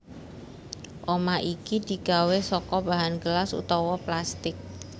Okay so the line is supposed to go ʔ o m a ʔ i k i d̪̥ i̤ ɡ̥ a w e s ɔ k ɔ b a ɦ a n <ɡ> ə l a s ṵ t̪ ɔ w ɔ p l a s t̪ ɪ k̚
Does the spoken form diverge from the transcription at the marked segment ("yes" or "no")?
no